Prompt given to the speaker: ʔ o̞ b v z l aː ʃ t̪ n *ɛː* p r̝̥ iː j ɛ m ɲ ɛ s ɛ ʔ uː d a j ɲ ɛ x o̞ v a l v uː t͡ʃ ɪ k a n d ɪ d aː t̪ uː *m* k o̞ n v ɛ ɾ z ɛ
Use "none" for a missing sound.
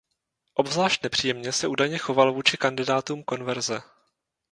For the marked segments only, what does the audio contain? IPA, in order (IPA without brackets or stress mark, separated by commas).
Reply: ɛ, m